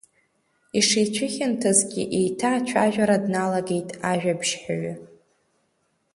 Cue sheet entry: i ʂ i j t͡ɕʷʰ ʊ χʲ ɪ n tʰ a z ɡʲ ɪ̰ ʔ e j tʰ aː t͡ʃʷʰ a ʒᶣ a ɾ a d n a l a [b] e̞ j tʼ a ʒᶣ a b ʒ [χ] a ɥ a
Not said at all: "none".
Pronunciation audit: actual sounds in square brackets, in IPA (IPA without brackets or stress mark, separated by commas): ɡ, ħ